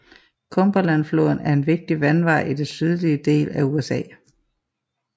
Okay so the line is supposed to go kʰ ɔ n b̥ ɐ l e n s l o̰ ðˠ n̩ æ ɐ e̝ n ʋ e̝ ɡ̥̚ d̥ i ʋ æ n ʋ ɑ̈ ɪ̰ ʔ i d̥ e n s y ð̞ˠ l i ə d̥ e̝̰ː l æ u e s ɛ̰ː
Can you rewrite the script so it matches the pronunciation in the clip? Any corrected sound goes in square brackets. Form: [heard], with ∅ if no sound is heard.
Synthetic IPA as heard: kʰ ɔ [m] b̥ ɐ l [æ] n [f] l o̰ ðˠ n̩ æ ɐ e̝ n ʋ e̝ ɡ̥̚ d̥ i ʋ æ n ʋ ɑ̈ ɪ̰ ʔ i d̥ e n s y ð̞ˠ l i ə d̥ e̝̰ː l æ u e s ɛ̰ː